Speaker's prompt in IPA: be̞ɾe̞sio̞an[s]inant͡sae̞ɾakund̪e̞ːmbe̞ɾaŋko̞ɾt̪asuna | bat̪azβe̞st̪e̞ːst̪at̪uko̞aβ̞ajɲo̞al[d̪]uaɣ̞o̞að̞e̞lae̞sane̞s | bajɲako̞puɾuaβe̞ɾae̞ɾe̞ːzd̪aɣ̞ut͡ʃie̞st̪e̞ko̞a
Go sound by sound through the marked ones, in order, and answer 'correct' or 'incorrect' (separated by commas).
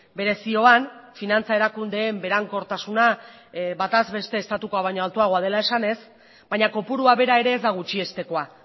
incorrect, incorrect